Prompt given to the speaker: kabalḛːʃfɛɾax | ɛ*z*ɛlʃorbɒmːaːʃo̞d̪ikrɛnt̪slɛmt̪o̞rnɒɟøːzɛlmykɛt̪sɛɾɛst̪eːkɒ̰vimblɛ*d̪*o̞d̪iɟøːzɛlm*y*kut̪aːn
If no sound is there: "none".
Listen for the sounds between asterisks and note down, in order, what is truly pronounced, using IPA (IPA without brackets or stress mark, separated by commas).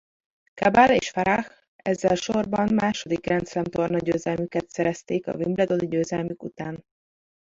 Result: zː, d̪, y